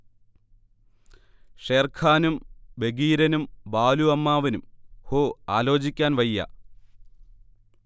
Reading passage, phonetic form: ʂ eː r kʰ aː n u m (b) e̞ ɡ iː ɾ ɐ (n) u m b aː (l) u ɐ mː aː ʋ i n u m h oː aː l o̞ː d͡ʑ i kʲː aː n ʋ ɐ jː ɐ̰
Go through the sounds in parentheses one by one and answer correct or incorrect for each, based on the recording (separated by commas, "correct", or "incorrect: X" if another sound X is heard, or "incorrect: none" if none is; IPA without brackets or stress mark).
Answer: correct, correct, correct